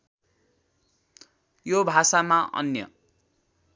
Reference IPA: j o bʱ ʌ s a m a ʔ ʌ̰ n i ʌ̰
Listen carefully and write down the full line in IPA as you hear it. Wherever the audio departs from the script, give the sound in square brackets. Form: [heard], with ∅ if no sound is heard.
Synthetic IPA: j o bʱ [a] s a m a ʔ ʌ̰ n [j] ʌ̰